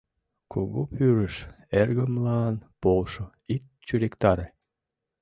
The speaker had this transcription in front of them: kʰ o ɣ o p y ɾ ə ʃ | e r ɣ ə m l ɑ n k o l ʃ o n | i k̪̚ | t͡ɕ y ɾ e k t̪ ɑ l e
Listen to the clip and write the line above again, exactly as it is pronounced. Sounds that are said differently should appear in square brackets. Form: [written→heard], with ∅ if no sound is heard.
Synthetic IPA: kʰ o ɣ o p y ɾ ə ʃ | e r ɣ ə m l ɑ n [k→p] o l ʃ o [n→∅] | i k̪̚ | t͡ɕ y ɾ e k t̪ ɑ [l→ɾ] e